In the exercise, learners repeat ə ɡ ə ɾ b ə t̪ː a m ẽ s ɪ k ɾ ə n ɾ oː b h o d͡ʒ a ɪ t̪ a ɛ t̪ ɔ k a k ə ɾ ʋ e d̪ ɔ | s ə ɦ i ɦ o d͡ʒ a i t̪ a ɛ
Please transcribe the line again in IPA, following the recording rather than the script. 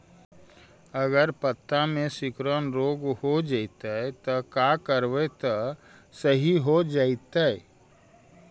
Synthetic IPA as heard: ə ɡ ə ɾ p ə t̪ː a m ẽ s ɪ k ɾ ə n ɾ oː ɡ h o d͡ʒ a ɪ t̪ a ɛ t̪ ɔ k a k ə ɾ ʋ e t̪ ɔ | s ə ɦ i ɦ o d͡ʒ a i t̪ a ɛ